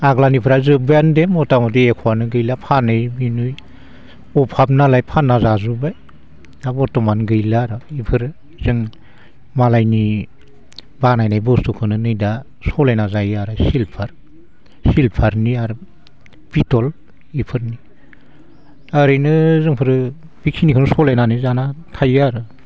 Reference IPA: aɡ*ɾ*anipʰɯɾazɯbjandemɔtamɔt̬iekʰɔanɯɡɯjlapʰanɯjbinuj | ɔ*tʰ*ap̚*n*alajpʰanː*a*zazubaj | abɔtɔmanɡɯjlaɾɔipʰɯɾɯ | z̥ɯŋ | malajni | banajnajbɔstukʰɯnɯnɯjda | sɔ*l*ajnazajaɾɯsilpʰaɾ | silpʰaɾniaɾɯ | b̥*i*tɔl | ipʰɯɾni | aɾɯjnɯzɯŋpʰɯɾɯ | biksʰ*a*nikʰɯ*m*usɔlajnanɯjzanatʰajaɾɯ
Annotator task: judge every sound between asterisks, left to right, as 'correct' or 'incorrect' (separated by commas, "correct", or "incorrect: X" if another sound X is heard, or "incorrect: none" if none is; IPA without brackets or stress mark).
incorrect: l, incorrect: pʰ, correct, correct, correct, correct, incorrect: i, incorrect: n